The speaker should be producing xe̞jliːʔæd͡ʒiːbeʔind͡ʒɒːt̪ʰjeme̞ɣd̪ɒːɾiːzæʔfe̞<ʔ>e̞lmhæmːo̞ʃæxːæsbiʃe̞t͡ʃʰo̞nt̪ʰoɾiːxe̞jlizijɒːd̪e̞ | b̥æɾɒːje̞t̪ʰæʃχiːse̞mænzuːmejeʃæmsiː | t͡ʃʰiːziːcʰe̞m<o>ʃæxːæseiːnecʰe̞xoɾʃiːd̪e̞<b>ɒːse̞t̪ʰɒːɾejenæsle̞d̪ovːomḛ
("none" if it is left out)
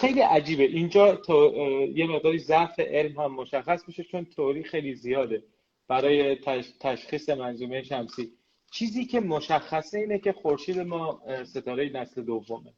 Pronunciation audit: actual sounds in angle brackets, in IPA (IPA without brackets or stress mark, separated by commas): ʔ, o, m